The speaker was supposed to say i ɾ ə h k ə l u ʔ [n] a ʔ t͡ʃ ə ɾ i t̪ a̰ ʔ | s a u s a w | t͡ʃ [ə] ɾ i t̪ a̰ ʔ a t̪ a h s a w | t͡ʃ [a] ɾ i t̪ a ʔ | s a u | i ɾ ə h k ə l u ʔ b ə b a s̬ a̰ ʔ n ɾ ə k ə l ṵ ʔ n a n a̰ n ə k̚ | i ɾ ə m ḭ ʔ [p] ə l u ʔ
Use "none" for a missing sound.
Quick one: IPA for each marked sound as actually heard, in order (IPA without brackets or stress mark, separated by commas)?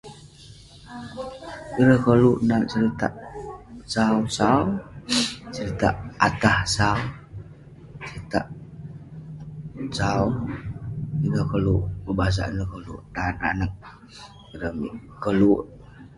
n, ə, ə, k